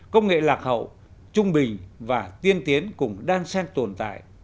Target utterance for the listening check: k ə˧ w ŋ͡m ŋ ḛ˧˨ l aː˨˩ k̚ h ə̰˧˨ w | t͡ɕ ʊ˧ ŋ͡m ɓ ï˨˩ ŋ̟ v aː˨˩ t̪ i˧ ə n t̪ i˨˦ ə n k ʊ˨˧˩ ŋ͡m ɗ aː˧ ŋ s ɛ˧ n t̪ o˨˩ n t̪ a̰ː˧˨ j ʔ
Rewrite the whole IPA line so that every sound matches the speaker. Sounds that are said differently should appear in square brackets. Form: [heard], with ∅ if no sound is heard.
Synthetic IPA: k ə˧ w ŋ͡m ŋ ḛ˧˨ l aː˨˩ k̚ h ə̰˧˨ w | t͡ɕ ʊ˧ ŋ͡m ɓ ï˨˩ ŋ̟ v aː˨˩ t̪ i˧ ə n t̪ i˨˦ ə n k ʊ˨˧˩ ŋ͡m ɗ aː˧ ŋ s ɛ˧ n t̪ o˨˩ n t̪ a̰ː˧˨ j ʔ